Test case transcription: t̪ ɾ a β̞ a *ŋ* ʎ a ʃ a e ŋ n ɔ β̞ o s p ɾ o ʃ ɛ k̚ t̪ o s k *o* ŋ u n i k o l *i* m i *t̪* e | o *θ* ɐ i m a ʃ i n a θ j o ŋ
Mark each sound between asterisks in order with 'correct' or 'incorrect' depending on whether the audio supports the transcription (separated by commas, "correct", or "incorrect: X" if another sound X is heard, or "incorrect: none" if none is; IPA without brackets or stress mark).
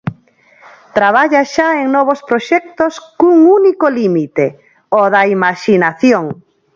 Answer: incorrect: none, incorrect: u, correct, correct, incorrect: ð